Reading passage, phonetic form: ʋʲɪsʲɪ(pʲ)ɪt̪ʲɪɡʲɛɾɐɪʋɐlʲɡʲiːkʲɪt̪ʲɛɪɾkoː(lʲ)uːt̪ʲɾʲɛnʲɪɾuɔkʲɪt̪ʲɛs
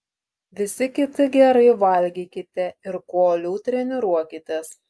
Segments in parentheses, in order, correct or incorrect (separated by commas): incorrect, correct